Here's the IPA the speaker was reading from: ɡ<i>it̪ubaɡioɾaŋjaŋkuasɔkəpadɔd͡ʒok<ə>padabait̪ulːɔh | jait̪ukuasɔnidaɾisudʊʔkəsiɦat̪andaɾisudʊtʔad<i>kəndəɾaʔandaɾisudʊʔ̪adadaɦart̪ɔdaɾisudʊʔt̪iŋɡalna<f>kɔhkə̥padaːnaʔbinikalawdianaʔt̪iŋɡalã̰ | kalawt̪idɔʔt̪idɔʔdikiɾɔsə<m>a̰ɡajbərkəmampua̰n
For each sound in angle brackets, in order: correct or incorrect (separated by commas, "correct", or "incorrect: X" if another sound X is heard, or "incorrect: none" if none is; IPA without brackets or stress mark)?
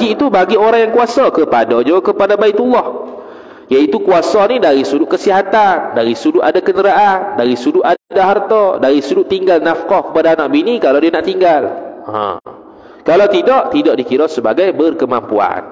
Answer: correct, correct, incorrect: a, correct, incorrect: b